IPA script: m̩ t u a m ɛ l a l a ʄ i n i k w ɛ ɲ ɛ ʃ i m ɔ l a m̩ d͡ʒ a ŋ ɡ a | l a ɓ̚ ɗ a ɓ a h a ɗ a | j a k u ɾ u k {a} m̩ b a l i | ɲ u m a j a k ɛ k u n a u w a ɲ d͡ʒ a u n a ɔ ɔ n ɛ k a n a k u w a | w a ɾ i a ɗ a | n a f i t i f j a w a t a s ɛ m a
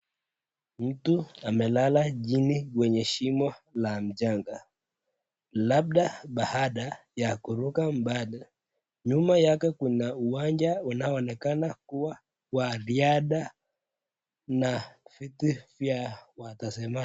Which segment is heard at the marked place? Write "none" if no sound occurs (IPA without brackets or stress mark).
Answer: a